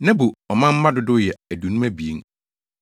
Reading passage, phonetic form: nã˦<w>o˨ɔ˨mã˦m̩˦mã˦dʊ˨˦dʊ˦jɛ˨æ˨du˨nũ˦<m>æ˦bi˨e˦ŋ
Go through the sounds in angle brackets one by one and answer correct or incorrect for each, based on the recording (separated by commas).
incorrect, correct